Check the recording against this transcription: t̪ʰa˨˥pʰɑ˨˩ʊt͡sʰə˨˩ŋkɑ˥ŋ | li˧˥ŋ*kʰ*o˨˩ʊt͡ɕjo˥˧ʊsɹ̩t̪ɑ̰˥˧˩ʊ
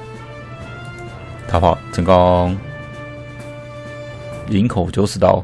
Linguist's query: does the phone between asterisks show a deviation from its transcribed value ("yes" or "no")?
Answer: no